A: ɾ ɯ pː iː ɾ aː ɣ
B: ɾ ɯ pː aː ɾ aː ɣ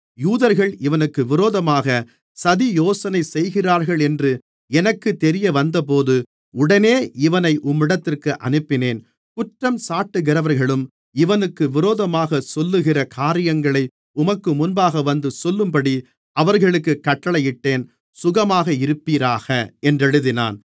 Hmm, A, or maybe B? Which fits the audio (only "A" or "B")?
A